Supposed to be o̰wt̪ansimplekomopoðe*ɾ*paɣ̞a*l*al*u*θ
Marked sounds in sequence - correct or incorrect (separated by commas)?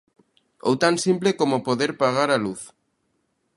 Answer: correct, incorrect, correct